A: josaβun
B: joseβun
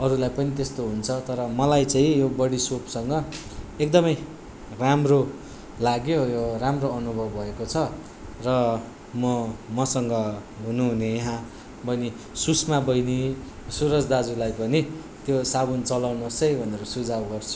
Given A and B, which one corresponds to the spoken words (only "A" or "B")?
A